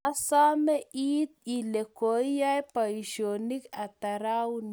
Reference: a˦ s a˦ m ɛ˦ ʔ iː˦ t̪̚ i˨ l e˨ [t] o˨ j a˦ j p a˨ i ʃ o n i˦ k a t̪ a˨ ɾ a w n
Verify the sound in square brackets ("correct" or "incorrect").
incorrect